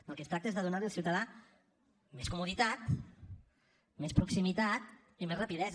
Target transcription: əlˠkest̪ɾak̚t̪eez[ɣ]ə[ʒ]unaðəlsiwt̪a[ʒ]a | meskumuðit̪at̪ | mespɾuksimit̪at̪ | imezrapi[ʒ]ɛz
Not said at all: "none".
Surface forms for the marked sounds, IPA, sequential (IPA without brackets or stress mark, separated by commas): ð, ð, ð, ð